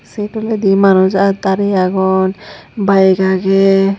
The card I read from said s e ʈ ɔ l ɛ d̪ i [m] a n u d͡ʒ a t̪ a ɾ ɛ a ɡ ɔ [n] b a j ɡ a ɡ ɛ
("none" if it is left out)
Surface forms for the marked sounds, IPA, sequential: m, n

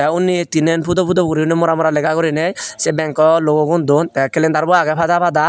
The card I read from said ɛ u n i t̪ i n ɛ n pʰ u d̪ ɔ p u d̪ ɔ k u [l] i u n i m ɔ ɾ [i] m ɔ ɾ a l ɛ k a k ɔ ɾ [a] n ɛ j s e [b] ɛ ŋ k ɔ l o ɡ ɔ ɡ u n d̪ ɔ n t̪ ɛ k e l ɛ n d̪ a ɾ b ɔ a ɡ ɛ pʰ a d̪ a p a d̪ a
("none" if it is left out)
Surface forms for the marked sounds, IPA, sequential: ɾ, a, i, b

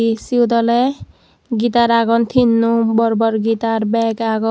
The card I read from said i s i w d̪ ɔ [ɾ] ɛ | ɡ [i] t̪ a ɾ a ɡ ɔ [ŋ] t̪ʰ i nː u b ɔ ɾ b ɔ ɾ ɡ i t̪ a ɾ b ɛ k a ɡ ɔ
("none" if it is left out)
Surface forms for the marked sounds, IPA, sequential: l, i, n

